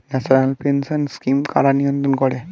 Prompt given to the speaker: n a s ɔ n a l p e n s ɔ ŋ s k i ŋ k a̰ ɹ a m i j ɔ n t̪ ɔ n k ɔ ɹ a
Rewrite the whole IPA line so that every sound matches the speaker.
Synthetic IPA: n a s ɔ n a l p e n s ɔ n s k i m k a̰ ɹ a n i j ɔ n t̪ ɔ n k ɔ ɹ ɛ